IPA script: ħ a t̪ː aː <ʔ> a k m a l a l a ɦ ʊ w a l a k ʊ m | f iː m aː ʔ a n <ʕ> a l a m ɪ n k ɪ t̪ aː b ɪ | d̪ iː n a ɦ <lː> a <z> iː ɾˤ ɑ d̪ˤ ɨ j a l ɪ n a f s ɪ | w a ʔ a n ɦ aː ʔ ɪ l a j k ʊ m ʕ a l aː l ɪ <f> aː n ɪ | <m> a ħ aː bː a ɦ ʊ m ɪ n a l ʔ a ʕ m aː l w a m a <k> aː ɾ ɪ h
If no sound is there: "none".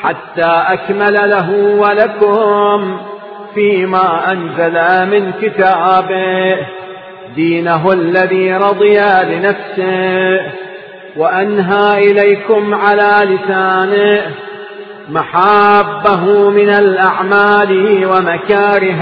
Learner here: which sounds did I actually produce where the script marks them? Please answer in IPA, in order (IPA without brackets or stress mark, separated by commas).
ʔ, z, lː, ð, s, m, k